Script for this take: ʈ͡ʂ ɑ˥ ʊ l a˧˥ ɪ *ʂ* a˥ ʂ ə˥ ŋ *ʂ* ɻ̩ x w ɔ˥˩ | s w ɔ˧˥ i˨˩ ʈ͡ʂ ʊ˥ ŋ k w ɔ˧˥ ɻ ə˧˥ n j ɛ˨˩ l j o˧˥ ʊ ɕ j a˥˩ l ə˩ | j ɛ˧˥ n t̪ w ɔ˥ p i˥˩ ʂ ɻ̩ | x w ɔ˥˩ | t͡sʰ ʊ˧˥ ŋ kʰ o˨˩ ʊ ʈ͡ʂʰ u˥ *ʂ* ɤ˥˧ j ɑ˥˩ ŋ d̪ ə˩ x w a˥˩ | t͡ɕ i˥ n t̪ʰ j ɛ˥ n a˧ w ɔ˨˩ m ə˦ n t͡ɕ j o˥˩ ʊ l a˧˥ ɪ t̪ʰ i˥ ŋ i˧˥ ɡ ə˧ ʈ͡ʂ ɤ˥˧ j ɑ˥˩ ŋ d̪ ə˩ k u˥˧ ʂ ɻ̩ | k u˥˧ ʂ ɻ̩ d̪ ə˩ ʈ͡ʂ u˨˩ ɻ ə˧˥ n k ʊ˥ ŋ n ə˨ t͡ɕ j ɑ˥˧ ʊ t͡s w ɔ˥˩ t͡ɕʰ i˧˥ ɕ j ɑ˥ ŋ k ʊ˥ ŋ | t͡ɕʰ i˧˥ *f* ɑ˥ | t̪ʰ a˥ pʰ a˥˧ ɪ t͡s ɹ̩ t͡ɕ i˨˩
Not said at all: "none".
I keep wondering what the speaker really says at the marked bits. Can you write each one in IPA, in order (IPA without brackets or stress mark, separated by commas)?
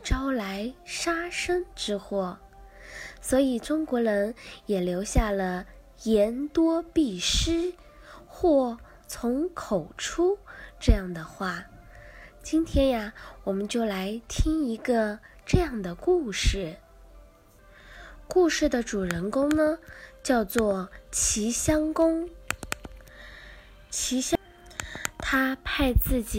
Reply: ʂ, ʈ͡ʂ, ʈ͡ʂ, ɕ